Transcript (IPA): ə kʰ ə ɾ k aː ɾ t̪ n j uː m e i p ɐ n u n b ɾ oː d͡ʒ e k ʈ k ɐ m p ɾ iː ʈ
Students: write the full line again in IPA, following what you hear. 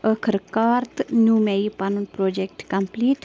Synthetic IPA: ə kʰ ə ɾ k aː ɾ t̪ n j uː m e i p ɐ n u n p ɾ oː d͡ʒ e k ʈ k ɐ m p l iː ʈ